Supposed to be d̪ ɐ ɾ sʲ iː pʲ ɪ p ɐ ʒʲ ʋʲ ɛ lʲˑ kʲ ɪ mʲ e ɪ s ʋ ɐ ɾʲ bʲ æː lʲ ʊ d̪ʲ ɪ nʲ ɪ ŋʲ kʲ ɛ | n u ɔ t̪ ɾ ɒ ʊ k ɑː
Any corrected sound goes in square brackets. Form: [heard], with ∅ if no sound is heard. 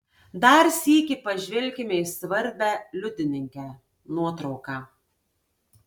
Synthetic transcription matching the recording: d̪ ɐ ɾ sʲ iː [kʲ] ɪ p ɐ ʒʲ ʋʲ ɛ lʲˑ kʲ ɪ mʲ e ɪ s ʋ ɐ ɾʲ bʲ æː lʲ ʊ d̪ʲ ɪ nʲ ɪ ŋʲ kʲ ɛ | n u ɔ t̪ ɾ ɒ ʊ k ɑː